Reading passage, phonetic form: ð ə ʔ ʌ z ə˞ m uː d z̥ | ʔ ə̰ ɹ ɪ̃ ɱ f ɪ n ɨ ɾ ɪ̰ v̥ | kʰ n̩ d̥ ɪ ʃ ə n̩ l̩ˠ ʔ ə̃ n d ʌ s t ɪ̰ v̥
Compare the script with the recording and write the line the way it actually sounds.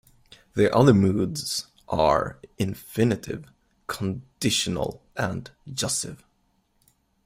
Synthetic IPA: ð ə ʔ ʌ ð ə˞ m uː d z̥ | ʔ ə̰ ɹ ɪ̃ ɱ f ɪ n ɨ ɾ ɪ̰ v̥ | kʰ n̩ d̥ ɪ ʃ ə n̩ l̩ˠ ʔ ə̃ n d͡ʒ ʌ s t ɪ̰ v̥